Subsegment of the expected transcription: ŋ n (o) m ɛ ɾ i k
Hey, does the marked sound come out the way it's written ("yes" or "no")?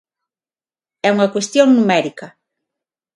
no